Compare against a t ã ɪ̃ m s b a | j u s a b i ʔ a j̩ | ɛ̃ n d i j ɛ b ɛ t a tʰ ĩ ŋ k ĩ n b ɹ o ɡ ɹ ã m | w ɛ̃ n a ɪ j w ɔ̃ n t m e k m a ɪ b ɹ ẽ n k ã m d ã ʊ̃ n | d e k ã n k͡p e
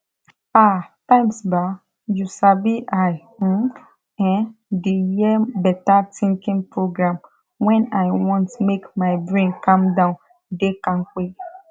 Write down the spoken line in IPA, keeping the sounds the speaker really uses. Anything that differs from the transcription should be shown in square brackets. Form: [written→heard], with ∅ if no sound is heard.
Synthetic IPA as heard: a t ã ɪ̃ m s b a | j u s a b i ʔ a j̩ | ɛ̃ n d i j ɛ b ɛ t a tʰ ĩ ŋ k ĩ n [b→p] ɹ o ɡ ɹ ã m | w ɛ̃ n a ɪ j w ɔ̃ n t m e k m a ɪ b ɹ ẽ n k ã m d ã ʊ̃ n | d e k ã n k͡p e

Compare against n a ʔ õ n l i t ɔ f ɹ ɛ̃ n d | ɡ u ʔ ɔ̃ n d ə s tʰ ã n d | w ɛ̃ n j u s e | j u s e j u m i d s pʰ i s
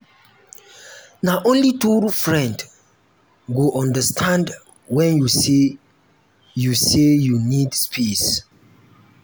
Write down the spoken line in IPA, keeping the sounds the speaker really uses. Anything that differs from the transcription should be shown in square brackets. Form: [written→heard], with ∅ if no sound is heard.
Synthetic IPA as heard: n a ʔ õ n l i t [ɔ→u] f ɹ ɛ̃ n d | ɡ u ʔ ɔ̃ n d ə s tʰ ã n d | w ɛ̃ n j u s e | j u s e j u [m→n] i d s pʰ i s

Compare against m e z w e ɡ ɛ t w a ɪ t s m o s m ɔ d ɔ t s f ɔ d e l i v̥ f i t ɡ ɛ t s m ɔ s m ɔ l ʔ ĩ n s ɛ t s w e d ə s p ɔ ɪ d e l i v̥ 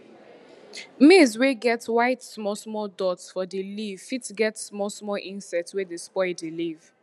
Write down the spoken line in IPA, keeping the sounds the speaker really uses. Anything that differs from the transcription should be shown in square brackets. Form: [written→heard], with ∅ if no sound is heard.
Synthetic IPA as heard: m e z w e ɡ ɛ t w a ɪ t s m [o→ɔ] s m ɔ d ɔ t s f ɔ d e l i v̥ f i t ɡ ɛ t s m ɔ s m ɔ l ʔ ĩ n s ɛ t s w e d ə s p ɔ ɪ d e l i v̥

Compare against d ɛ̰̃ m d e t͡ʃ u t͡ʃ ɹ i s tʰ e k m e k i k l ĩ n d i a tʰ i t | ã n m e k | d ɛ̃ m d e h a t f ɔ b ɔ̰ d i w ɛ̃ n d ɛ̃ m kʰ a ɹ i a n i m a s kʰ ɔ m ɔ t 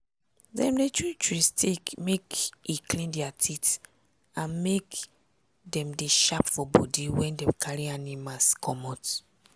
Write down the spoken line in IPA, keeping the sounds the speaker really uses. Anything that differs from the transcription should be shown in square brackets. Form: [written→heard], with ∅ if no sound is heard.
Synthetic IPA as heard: d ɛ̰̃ m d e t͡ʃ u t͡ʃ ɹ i s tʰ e k m e k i k l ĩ n d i a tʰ i t | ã n m e k | d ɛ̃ m d e [h→ʃ] a [t→p] f ɔ b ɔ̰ d i w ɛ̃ n d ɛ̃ m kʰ a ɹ i a n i m a s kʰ ɔ m ɔ t

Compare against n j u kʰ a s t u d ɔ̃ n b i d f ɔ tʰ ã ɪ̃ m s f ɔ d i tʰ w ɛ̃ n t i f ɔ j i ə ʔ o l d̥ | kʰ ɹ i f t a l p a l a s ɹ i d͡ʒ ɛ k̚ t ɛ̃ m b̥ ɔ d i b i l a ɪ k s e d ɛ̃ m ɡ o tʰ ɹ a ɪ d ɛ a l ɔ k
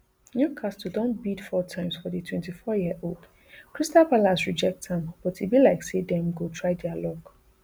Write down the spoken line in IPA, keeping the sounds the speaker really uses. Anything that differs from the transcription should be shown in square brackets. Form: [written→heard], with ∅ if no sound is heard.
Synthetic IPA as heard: n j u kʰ a s t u d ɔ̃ n b i d f ɔ tʰ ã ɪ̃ m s f ɔ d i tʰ w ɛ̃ n t i f ɔ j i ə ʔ o l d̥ | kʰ ɹ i [f→s] t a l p a l a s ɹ i d͡ʒ ɛ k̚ t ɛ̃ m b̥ ɔ [d→t] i b i l a ɪ k s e d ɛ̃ m ɡ o tʰ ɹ a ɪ d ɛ a l ɔ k

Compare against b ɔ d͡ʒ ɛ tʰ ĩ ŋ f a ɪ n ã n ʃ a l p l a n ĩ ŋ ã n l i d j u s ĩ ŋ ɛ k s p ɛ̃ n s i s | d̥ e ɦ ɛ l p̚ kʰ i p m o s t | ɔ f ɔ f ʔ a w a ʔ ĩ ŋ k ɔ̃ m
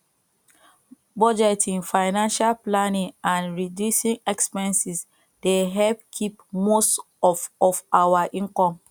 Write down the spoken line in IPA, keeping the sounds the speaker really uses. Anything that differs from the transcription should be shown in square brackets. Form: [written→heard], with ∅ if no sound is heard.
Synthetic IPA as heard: b ɔ d͡ʒ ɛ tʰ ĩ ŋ f a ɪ n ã n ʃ a l p l a n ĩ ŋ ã n [l→ɹ] i d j u s ĩ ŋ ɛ k s p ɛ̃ n s i s | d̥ e ɦ ɛ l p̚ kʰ i p m o s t | ɔ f ɔ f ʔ a w a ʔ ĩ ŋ k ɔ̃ m

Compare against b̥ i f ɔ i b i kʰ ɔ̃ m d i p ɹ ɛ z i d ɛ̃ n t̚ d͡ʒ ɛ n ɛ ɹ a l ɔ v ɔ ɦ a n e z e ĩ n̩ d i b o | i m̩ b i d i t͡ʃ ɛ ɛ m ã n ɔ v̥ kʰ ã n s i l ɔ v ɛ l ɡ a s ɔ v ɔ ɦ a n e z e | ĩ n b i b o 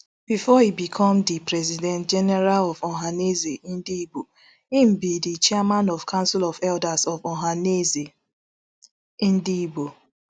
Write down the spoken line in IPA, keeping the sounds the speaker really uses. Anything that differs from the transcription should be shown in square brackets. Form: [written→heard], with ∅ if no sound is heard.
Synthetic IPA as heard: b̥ i f ɔ i b i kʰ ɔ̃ m d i p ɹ ɛ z i d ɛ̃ n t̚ d͡ʒ ɛ n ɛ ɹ a l ɔ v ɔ ɦ a n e z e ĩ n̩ d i b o | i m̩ b i d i t͡ʃ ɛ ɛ m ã n ɔ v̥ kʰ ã n s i l ɔ v ɛ l [ɡ→d] a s ɔ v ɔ ɦ a n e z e | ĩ n [b→d] i b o

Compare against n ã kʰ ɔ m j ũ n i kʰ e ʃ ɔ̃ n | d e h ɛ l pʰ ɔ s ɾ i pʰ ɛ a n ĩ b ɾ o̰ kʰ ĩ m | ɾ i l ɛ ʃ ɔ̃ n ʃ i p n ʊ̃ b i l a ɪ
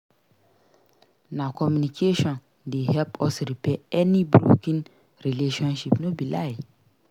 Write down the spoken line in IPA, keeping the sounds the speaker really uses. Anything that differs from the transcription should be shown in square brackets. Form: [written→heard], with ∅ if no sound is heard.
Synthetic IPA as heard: n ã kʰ ɔ m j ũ n i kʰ e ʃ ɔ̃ n | d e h ɛ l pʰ ɔ s ɾ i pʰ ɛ [a→ɛ] n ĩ b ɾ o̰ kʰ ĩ [m→n] | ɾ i l [ɛ→e] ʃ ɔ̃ n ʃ i p n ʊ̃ b i l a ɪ

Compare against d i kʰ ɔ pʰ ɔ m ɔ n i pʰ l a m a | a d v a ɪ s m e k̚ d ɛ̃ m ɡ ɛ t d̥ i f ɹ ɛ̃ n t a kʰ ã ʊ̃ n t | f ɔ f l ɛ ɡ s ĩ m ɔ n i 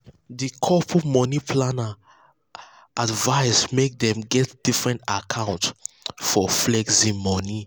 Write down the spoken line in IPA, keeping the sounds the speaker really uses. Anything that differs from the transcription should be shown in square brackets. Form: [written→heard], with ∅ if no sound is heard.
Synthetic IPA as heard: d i kʰ ɔ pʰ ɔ m ɔ n i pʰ l a [m→n] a | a d v a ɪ s m e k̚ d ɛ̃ m ɡ ɛ t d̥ i f ɹ ɛ̃ n t a kʰ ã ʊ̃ n t | f ɔ f l ɛ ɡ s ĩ m ɔ n i

